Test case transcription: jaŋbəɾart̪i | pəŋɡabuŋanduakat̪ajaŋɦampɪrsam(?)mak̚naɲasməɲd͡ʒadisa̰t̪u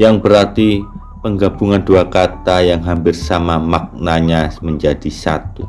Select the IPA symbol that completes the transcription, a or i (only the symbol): a